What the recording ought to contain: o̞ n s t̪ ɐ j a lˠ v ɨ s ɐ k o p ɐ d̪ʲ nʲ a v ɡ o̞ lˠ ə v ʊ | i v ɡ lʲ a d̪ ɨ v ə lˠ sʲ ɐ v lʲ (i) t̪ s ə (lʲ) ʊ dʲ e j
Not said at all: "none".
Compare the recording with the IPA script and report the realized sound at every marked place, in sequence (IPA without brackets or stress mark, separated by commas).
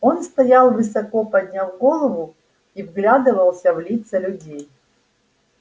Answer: i, lʲ